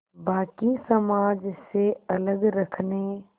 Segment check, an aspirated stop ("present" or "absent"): present